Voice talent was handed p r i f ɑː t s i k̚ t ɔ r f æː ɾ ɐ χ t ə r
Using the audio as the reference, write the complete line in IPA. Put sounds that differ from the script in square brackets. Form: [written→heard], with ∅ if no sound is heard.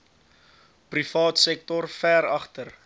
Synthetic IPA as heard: p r i f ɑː t s [i→ɛ] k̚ t ɔ r f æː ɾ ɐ χ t ə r